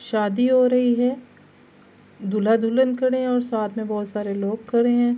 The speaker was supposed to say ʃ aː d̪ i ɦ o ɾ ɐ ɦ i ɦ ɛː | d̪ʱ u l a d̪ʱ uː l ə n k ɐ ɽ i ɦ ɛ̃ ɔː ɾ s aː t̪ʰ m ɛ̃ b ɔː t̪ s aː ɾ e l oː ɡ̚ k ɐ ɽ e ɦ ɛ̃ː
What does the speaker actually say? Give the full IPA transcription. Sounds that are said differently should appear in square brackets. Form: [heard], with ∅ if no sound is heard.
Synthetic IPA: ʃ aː d̪ i ɦ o ɾ ɐ ɦ i ɦ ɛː | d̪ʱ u l a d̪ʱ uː l ə n k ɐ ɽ [e] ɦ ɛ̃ ɔː ɾ s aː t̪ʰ m [ẽ] b ɔː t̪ s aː ɾ e l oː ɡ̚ k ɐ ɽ e ɦ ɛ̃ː